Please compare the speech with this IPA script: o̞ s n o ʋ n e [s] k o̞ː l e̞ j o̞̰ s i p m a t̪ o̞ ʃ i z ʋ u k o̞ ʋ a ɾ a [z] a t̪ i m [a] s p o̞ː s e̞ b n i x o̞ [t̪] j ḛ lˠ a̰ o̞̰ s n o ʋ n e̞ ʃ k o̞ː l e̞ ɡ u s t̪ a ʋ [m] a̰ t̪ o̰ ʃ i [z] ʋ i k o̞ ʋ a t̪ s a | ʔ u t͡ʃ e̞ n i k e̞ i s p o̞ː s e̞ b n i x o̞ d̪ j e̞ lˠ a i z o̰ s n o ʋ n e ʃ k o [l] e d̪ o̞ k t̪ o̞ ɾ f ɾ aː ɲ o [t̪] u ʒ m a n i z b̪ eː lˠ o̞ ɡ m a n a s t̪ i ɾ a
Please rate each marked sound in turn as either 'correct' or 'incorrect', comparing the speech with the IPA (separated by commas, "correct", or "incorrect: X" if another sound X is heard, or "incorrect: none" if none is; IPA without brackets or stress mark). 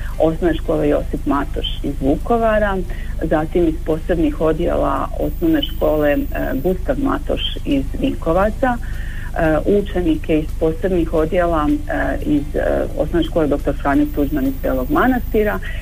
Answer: incorrect: ʃ, correct, incorrect: i, incorrect: d̪, correct, correct, correct, correct